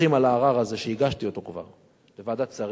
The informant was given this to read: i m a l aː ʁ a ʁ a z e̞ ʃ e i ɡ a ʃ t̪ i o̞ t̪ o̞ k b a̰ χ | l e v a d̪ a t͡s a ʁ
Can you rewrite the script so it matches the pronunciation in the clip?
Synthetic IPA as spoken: i m a l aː ʁ a ʁ a z e̞ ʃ e i ɡ a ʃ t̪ i o̞ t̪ o̞ k v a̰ ʁ | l e v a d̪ a t͡s a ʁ